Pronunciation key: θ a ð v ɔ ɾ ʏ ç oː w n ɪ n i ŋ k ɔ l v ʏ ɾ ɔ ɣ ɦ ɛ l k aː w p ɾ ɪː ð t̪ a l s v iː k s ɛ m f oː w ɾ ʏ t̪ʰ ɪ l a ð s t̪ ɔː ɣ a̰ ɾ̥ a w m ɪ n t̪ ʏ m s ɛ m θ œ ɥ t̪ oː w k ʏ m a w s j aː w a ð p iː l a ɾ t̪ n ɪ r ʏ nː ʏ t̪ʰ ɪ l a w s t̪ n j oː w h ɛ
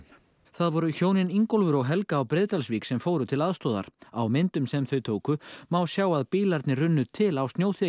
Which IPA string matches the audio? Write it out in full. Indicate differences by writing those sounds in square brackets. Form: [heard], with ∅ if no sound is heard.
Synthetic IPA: θ a ð v ɔ ɾ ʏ ç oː w n ɪ n i ŋ k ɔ l v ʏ ɾ ɔ ɣ ɦ ɛ l k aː w p ɾ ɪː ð t̪ a l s v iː k s ɛ m f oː w ɾ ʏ t̪ʰ ɪ l a ð s t̪ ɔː [ð] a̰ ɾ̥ a w m ɪ n t̪ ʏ m s ɛ m θ œ ɥ [t̪ʰ] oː w k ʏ m a w s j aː w a ð p iː l a ɾ t̪ n ɪ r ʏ nː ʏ t̪ʰ ɪ l a w s t̪ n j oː w [θ] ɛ